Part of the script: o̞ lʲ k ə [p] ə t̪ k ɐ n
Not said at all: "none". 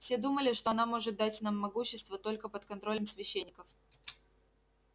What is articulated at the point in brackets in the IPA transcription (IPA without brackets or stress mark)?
p